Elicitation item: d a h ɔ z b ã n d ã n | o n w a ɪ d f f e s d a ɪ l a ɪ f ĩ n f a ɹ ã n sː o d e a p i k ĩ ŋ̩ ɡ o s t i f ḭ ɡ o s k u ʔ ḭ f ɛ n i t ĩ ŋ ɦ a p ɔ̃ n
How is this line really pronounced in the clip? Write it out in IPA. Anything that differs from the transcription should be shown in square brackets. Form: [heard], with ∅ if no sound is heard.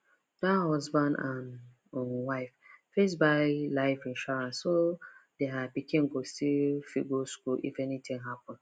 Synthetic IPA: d a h ɔ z b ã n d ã n | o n w a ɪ [∅] f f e s [b] a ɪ l a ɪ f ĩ n [ʃ] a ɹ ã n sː o d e a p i k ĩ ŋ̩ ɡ o s t i f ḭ ɡ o s k u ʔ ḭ f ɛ n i t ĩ ŋ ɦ a p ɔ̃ n